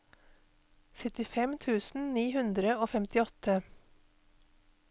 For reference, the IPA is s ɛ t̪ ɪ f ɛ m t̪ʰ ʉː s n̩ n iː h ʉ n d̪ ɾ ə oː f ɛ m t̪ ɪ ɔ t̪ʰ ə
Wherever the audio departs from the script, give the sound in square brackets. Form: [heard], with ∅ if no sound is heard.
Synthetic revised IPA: s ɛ t̪ ɪ f ɛ m t̪ʰ ʉː s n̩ n iː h ʉ n d̪ ɾ ə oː f ɛ m t̪ ɪ ɔ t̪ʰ ə